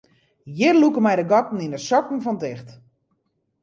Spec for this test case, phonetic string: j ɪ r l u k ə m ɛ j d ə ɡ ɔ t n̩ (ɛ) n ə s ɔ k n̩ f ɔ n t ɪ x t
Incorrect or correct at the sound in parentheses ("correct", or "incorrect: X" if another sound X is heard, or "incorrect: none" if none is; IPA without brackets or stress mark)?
incorrect: i